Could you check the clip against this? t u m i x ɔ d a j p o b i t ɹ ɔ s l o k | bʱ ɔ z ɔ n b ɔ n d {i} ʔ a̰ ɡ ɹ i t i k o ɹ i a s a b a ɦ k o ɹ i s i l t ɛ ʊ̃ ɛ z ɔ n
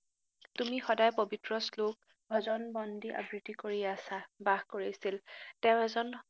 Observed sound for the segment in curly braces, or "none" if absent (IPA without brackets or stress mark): i